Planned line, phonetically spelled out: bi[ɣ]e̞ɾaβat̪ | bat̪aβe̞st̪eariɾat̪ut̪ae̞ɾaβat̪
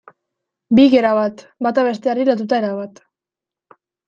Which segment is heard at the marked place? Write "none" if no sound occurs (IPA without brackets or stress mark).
ɣ